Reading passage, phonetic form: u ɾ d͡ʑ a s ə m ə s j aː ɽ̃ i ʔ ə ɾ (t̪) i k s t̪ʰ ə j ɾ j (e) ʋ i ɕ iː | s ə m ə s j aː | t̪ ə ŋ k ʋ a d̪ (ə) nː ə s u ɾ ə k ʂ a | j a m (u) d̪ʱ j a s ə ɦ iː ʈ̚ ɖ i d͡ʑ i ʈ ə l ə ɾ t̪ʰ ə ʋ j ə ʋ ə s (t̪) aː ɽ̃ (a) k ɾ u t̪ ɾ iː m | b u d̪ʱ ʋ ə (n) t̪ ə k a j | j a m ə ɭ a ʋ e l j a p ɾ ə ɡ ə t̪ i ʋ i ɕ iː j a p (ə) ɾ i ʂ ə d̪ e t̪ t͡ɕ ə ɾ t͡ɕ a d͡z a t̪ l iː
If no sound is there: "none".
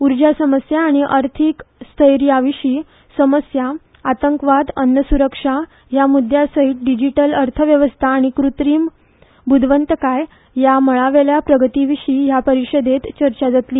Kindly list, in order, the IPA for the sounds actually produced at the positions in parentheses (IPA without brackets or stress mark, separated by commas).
t̪ʰ, a, ə, u, t̪ʰ, i, n, ə